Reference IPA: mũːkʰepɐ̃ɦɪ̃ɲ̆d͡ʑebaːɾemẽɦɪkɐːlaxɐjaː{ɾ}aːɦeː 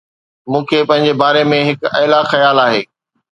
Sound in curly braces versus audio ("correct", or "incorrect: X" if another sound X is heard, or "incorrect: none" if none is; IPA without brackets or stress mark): incorrect: l